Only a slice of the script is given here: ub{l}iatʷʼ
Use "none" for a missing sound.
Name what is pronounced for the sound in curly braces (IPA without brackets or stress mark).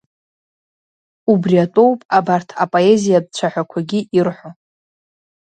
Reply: r